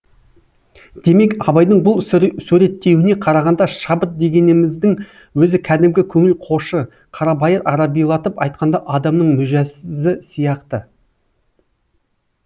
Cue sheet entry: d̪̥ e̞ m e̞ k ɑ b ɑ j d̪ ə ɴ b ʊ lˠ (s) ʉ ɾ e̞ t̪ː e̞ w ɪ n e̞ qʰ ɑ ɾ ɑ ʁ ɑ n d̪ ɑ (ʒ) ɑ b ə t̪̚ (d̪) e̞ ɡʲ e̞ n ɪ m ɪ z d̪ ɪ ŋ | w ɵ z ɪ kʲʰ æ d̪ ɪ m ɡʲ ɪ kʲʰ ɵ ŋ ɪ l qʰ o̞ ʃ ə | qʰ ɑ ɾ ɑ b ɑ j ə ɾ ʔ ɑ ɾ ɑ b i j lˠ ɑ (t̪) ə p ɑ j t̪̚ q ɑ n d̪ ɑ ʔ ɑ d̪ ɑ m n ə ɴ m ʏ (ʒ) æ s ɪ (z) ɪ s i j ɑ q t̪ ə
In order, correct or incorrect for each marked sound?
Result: correct, incorrect: ʃ, correct, correct, correct, correct

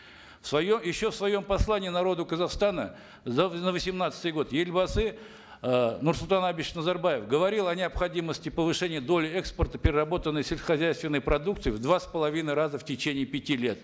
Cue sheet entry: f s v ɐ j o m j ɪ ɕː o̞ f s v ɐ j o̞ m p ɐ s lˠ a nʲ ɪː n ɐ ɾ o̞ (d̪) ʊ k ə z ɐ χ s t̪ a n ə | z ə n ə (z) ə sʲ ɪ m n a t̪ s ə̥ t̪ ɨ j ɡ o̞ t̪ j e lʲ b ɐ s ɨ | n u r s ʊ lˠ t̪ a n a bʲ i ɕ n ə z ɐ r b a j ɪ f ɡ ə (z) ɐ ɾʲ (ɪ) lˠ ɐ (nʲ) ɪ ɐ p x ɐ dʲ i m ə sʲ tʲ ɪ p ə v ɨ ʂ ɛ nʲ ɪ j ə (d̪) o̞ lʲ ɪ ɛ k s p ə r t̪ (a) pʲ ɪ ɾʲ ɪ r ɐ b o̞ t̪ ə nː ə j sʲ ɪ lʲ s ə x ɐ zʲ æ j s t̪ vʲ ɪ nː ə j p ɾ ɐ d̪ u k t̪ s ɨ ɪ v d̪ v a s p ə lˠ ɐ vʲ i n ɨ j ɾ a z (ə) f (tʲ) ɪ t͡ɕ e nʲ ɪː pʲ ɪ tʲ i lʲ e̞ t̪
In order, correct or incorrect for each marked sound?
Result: correct, incorrect: v, incorrect: v, incorrect: i, correct, correct, incorrect: ə, correct, correct

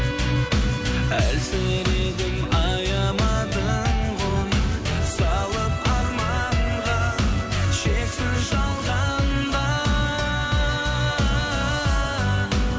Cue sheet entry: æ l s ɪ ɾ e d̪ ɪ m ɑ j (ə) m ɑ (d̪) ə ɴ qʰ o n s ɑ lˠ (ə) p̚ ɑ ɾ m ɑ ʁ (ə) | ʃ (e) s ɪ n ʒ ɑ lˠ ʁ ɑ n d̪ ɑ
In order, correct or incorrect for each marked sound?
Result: incorrect: ɑ, correct, correct, incorrect: ɑ, correct

